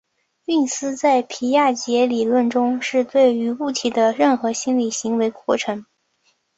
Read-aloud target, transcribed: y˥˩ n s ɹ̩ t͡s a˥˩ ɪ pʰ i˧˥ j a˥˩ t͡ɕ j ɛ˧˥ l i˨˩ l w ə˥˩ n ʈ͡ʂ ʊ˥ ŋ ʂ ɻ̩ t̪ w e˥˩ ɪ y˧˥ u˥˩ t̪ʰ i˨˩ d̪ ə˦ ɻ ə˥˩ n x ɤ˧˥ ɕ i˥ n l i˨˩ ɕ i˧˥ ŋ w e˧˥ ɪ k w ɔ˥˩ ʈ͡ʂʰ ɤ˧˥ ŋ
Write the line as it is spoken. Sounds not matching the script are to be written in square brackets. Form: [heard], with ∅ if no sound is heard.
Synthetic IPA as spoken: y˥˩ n s ɹ̩ t͡s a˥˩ ɪ pʰ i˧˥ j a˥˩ t͡ɕ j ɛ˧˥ l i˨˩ l w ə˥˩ n ʈ͡ʂ ʊ˥ ŋ ʂ ɻ̩ t̪ w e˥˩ ɪ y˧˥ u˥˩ t̪ʰ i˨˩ d̪ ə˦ ɻ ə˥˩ n x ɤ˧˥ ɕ i˥ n l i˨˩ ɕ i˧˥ ŋ w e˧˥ ɪ k w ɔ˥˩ ʈ͡ʂʰ ɤ˧˥ ŋ